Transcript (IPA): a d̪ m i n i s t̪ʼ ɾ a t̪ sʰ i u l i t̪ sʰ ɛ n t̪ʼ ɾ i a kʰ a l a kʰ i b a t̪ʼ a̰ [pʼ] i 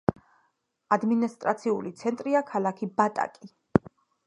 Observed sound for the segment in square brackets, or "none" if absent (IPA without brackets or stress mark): kʼ